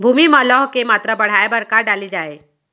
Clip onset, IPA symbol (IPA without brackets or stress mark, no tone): bʱ